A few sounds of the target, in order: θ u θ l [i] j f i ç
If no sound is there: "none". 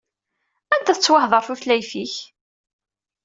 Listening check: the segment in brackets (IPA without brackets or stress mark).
æ